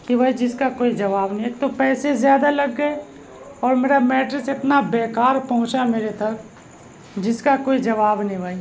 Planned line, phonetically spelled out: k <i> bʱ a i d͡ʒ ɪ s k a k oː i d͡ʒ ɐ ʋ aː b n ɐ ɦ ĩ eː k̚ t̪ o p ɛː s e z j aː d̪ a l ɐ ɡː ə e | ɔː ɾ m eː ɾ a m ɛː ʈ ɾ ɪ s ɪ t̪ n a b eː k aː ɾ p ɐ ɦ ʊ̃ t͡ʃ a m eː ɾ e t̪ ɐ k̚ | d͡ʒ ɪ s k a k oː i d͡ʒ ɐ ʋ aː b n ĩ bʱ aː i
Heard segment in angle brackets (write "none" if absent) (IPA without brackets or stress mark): i